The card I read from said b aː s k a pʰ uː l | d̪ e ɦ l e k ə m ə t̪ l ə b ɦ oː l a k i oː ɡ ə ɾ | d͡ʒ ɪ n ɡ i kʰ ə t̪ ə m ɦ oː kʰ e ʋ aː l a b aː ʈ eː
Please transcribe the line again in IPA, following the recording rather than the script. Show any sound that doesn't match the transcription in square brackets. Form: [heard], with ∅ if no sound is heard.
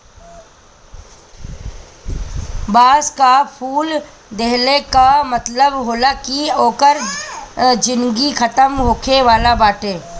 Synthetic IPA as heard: b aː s k a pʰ uː l | d̪ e ɦ l e k [a] m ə t̪ l ə b ɦ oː l a k i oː [k] ə ɾ | d͡ʒ ɪ n ɡ i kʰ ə t̪ ə m ɦ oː kʰ e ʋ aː l a b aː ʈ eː